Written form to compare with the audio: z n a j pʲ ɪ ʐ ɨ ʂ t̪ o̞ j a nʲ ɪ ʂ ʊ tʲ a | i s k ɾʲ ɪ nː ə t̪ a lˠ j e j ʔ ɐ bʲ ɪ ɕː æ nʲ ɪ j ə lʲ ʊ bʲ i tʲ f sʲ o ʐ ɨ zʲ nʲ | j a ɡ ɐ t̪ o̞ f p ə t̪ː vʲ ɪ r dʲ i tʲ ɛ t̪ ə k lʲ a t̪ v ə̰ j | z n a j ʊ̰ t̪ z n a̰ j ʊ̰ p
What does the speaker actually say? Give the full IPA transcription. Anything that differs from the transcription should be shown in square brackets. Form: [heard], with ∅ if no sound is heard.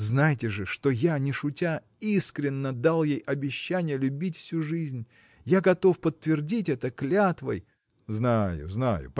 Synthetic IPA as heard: z n a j [tʲ] ɪ ʐ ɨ ʂ t̪ o̞ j a nʲ ɪ ʂ ʊ tʲ a | i s k ɾʲ ɪ nː ə [d̪] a lˠ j e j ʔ ɐ bʲ ɪ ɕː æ nʲ ɪ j ə lʲ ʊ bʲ i tʲ f sʲ [u] ʐ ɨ zʲ nʲ | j a ɡ ɐ t̪ o̞ f p ə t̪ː vʲ ɪ r dʲ i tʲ ɛ t̪ ə k lʲ a t̪ v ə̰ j | z n a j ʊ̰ [∅] z n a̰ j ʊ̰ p